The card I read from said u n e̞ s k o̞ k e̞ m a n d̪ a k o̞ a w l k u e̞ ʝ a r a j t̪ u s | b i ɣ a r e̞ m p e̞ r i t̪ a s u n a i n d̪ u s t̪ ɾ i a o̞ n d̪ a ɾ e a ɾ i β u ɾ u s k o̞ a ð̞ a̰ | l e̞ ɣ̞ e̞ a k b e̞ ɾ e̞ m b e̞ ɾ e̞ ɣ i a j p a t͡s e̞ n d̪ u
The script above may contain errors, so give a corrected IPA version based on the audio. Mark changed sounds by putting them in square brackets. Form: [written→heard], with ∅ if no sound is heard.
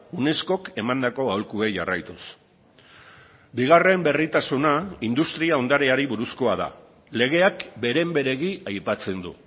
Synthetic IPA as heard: u n e̞ s k o̞ k e̞ m a n d̪ a k o̞ a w l k u e̞ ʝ a r a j t̪ u s | b i ɣ a r e̞ m [p→b] e̞ r i t̪ a s u n a i n d̪ u s t̪ ɾ i a o̞ n d̪ a ɾ e a ɾ i β u ɾ u s k o̞ a ð̞ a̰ | l e̞ ɣ̞ e̞ a k b e̞ ɾ e̞ m b e̞ ɾ e̞ ɣ i a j p a t͡s e̞ n d̪ u

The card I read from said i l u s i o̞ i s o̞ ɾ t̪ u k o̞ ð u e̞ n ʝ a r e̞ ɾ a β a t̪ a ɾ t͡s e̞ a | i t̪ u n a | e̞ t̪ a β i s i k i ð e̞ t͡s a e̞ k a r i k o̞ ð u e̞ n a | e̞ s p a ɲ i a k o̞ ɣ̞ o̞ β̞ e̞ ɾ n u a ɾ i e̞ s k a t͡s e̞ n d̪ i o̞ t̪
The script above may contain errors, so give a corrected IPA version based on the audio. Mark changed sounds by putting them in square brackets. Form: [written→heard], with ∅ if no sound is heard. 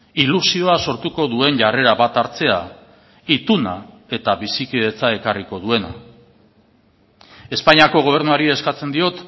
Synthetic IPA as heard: i l u s i o̞ [i→a] s o̞ ɾ t̪ u k o̞ ð u e̞ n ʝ a r e̞ ɾ a β a t̪ a ɾ t͡s e̞ a | i t̪ u n a | e̞ t̪ a β i s i k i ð e̞ t͡s a e̞ k a r i k o̞ ð u e̞ n a | e̞ s p a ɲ i a k o̞ ɣ̞ o̞ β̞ e̞ ɾ n u a ɾ i e̞ s k a t͡s e̞ n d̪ i o̞ t̪

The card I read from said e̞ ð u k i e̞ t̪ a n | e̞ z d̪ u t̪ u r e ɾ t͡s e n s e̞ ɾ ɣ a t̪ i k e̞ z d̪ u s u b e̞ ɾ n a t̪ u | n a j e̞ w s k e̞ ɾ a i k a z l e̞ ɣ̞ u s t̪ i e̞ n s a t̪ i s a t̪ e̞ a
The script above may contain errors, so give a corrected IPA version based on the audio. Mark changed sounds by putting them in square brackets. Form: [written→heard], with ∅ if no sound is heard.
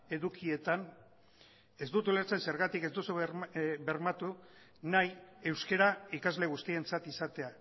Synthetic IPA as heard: e̞ ð u k i e̞ t̪ a n | e̞ z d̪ u t̪ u [r→l] e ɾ t͡s e n s e̞ ɾ ɣ a t̪ i k e̞ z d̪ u s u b e̞ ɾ [n→m] a t̪ u | n a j e̞ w s k e̞ ɾ a i k a z l e̞ ɣ̞ u s t̪ i e̞ n [s→t͡s] a t̪ i s a t̪ e̞ a

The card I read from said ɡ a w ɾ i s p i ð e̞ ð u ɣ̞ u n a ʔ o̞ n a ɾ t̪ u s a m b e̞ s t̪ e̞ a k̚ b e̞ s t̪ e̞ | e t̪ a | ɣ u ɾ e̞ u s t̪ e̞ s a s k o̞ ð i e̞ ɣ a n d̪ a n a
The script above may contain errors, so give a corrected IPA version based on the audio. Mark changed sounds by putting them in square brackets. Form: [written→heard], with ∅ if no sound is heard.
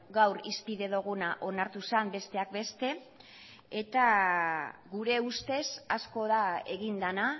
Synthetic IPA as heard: ɡ a w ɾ i s p i ð e̞ ð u ɣ̞ u n a ʔ o̞ n a ɾ t̪ u s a m b e̞ s t̪ e̞ a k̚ b e̞ s t̪ e̞ | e t̪ a | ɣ u ɾ e̞ u s t̪ e̞ s a s k o̞ ð [i→a] e̞ ɣ [a→i] n d̪ a n a

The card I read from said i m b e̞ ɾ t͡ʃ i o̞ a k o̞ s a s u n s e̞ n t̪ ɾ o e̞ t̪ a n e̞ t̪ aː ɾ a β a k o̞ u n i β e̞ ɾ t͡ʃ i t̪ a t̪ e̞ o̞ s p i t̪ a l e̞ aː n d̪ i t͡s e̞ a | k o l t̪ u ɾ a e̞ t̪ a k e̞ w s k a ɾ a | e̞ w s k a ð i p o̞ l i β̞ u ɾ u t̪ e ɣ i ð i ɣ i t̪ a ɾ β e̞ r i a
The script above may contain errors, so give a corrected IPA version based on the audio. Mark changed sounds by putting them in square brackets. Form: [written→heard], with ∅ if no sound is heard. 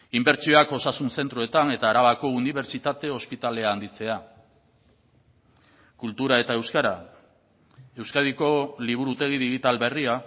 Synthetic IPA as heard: i m b e̞ ɾ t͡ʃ i o̞ a k o̞ s a s u n s e̞ n t̪ ɾ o e̞ t̪ a n e̞ t̪ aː ɾ a β a k o̞ u n i β e̞ ɾ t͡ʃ i t̪ a t̪ e̞ o̞ s p i t̪ a l e̞ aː n d̪ i t͡s e̞ a | k [o→u] l t̪ u ɾ a e̞ t̪ a [k→∅] e̞ w s k a ɾ a | e̞ w s k a ð i [p→k] o̞ l i β̞ u ɾ u t̪ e ɣ i ð i ɣ i t̪ a [ɾ→l] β e̞ r i a

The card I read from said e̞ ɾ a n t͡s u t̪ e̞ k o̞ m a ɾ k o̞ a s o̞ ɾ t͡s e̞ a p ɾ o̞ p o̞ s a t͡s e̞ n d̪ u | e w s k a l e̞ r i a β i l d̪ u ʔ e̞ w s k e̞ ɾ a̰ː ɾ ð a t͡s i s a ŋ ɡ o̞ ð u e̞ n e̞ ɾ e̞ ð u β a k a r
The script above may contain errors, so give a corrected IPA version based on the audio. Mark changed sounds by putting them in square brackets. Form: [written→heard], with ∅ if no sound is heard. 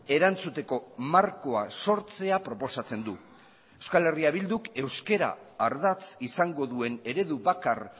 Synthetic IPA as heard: e̞ ɾ a n t͡s u t̪ e̞ k o̞ m a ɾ k o̞ a s o̞ ɾ t͡s e̞ a p ɾ o̞ p o̞ s a t͡s e̞ n d̪ u | e w s k a l e̞ r i a β i l d̪ u [ʔ→k] e̞ w s k e̞ ɾ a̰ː ɾ ð a t͡s i s a ŋ ɡ o̞ ð u e̞ n e̞ ɾ e̞ ð u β a k a r

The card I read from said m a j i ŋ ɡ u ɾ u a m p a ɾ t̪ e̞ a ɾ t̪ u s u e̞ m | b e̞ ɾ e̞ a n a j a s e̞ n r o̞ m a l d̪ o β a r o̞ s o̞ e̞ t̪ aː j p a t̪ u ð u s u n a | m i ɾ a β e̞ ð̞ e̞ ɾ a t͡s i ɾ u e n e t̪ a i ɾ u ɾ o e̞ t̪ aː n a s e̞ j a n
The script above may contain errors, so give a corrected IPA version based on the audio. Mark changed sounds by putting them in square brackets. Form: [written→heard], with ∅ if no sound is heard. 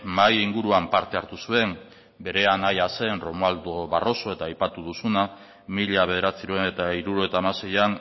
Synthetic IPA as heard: m a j i ŋ ɡ u ɾ u a m p a ɾ t̪ e̞ a ɾ t̪ u s u e̞ m | b e̞ ɾ e̞ a n a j a s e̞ n r o̞ m a l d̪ o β a r o̞ s o̞ e̞ t̪ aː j p a t̪ u ð u s u n a | m i [ɾ→ʎ] a β e̞ ð̞ e̞ ɾ a t͡s i ɾ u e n e t̪ a i ɾ u ɾ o e̞ t̪ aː [n→m] a s e̞ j a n

